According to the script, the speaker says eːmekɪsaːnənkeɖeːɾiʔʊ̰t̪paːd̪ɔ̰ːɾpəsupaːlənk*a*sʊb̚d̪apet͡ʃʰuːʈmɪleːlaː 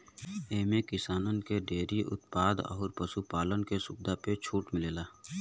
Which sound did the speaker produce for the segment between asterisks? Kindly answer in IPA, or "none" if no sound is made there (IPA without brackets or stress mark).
e